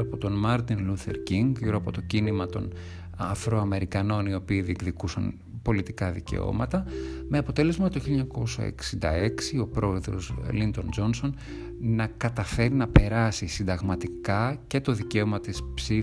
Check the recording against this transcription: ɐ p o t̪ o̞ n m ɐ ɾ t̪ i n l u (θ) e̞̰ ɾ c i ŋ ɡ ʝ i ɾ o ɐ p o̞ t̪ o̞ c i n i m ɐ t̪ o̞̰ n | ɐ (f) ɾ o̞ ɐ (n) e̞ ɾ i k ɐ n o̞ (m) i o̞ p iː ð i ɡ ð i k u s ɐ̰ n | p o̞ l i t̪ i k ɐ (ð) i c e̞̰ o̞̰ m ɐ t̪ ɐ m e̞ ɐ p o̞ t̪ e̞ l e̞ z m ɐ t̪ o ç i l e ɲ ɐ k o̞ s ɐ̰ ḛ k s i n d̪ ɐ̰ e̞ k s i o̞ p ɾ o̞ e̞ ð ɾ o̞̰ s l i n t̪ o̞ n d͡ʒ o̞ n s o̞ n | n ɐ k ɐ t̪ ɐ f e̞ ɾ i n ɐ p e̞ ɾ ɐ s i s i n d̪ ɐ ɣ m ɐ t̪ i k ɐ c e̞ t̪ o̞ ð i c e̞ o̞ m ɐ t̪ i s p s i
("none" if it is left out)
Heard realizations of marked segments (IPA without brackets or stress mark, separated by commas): θ, f, m, n, ð